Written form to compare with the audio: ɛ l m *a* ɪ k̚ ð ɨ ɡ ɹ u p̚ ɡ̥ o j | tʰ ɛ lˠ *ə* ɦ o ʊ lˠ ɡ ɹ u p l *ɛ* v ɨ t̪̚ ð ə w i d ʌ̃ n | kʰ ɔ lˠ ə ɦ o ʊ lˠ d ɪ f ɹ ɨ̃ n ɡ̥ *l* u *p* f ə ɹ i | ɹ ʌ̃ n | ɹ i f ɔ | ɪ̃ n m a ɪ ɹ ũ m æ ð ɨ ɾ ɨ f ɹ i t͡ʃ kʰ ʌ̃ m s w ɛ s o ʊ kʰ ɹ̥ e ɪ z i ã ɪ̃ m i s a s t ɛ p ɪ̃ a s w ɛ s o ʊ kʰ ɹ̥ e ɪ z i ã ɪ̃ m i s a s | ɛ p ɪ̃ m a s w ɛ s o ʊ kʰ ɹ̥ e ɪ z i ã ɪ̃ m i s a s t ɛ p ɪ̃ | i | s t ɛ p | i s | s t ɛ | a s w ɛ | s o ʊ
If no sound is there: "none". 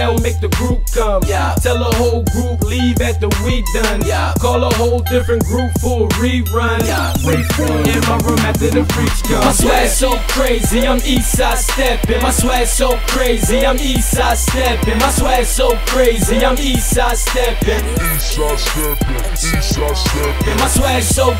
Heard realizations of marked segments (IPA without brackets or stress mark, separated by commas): e, ə, i, ɹ, p